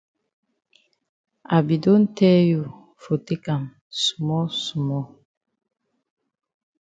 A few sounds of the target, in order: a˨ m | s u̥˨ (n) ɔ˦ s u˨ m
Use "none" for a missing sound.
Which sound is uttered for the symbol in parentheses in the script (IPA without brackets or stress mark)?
m